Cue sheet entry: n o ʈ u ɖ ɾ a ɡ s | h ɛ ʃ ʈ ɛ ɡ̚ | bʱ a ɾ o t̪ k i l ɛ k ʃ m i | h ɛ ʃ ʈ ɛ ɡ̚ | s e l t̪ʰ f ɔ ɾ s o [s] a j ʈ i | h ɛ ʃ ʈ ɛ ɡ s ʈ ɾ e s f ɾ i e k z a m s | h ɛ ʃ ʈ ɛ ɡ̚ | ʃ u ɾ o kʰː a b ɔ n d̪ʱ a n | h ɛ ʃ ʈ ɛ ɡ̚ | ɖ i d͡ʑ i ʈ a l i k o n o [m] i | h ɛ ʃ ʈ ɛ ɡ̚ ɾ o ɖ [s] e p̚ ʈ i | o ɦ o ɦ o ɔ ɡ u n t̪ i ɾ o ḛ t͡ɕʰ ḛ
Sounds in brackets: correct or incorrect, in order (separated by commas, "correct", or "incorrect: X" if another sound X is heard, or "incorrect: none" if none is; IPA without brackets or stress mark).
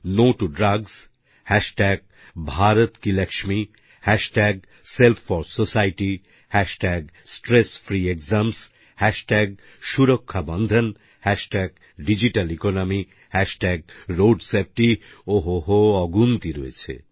correct, correct, correct